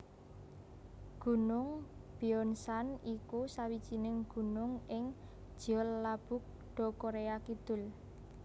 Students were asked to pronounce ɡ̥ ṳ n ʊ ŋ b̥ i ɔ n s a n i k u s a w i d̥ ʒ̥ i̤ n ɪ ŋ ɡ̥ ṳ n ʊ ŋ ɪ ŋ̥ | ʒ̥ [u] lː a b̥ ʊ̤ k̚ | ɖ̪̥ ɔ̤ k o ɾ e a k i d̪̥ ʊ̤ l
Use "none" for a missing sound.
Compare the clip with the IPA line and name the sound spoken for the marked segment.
ɔ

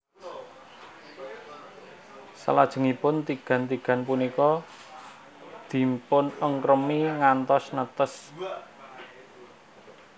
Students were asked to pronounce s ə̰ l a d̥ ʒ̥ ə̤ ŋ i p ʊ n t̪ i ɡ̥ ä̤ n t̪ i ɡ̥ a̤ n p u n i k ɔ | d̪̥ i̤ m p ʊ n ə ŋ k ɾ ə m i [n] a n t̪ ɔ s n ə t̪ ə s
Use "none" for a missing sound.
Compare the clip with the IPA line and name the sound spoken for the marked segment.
ŋ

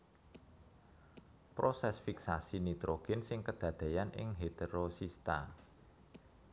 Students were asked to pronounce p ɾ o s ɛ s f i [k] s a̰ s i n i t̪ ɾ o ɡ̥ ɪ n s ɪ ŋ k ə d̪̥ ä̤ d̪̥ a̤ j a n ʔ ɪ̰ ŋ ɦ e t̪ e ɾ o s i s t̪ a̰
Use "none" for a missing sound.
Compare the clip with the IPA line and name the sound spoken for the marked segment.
k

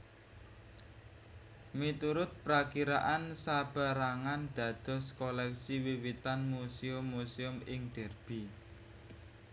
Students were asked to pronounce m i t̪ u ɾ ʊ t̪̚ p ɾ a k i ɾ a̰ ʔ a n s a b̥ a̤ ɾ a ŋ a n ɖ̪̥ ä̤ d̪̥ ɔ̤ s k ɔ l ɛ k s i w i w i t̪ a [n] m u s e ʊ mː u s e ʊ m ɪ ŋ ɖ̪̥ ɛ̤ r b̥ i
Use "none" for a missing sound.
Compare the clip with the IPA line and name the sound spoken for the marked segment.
n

